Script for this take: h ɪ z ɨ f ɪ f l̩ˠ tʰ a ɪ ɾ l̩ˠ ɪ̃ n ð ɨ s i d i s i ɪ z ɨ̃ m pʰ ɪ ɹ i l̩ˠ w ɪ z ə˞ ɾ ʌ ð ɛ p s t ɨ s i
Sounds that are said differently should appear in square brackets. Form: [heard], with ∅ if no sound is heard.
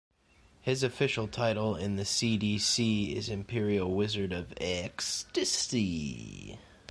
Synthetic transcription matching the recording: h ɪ z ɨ f ɪ [ʃ] l̩ˠ tʰ a ɪ ɾ l̩ˠ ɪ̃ n ð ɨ s i d i s i ɪ z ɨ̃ m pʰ ɪ ɹ i l̩ˠ w ɪ z ə˞ ɾ ʌ [v] ɛ [k] s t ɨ s i